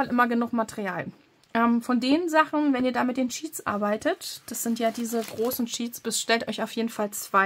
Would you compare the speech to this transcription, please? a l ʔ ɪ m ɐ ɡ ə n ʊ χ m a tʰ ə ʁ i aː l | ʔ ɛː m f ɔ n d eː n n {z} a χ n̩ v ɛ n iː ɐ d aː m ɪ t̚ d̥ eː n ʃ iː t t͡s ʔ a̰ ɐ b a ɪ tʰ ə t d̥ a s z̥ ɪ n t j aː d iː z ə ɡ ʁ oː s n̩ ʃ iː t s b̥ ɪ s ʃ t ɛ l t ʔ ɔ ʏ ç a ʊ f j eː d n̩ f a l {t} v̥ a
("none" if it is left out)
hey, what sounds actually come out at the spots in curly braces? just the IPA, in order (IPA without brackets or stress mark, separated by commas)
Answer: z, t͡s